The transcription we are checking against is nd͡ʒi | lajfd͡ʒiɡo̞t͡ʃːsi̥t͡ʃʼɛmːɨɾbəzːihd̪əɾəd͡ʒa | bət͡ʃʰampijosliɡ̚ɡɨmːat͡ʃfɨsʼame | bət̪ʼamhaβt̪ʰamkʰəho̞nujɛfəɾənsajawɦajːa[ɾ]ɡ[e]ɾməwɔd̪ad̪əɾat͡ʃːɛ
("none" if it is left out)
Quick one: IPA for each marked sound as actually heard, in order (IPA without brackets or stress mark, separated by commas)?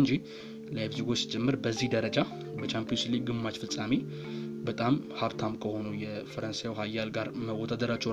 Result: l, a